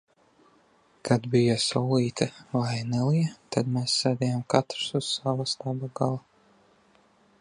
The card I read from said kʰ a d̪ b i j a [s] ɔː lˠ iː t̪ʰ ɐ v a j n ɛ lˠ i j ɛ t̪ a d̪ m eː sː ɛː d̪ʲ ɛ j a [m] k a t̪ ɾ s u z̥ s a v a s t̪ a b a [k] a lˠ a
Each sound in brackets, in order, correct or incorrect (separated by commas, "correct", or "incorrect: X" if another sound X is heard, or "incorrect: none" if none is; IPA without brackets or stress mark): correct, correct, incorrect: ɡ